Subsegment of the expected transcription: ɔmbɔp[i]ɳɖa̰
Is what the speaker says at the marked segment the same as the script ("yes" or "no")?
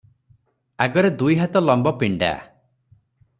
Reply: yes